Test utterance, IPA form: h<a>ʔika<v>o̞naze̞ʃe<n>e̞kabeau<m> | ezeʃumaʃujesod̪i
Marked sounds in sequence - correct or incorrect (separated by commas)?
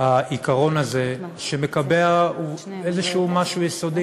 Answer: correct, incorrect, incorrect, incorrect